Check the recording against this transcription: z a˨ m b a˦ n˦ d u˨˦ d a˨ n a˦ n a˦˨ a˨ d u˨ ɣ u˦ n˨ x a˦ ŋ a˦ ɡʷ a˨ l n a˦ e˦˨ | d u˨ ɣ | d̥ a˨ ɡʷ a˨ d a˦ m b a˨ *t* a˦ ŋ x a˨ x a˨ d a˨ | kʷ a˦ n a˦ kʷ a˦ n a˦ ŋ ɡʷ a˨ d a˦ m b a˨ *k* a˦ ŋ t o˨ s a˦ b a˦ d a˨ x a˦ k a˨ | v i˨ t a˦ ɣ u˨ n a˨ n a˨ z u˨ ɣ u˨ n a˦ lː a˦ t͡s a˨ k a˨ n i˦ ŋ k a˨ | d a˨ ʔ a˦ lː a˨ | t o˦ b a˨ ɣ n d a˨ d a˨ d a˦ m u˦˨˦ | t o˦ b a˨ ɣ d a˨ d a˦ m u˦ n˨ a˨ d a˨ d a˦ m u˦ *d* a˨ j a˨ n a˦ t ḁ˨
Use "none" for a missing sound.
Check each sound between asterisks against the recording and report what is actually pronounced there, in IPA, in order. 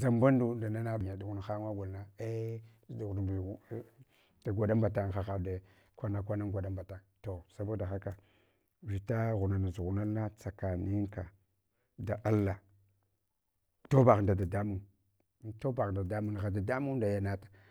t, t, d

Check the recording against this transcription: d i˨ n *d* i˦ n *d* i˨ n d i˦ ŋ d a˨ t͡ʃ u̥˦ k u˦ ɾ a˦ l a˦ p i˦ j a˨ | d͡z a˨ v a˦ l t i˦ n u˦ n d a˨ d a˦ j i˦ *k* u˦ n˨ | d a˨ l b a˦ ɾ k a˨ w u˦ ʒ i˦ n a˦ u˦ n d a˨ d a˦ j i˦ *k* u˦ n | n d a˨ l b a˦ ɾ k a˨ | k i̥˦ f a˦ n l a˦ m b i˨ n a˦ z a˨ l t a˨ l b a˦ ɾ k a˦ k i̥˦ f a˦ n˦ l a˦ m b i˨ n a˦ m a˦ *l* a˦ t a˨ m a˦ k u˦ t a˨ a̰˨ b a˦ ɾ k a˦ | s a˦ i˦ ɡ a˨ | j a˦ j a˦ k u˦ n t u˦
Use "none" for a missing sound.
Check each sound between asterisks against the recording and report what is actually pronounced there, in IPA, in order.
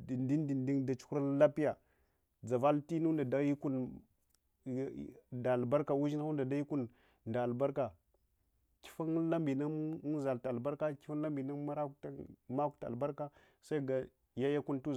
d, d, k, k, ɾ

